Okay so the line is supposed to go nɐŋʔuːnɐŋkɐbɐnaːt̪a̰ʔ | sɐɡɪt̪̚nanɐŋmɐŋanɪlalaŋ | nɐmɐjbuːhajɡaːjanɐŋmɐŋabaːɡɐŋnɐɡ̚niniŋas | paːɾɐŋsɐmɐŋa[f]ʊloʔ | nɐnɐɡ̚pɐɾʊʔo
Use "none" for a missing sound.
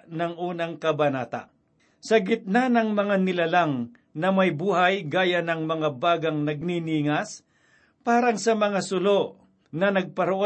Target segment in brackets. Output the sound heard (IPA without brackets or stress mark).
s